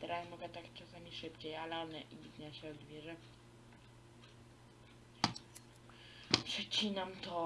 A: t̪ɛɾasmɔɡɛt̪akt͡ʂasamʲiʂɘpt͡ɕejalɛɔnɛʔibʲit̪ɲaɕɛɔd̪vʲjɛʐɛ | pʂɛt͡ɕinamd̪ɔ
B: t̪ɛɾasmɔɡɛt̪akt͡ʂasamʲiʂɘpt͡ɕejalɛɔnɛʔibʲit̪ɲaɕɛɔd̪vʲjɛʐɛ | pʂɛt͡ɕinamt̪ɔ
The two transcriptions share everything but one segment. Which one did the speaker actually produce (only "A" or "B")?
B